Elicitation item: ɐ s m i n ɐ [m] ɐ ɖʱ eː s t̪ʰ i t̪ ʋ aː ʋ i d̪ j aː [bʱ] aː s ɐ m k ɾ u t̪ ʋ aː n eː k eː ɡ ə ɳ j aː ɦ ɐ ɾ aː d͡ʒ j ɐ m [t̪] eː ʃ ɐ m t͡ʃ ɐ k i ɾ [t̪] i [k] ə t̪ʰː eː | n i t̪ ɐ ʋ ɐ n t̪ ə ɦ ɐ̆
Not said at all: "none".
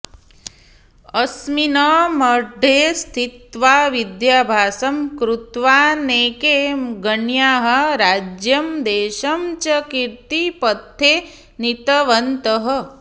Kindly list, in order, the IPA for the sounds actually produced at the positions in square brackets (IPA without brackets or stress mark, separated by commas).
m, bʱ, d̪, t̪, p